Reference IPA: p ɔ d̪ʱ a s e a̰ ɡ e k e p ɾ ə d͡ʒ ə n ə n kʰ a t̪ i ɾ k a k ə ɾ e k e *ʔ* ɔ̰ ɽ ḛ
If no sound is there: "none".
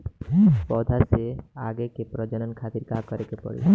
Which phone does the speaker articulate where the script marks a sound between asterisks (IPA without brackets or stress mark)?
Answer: p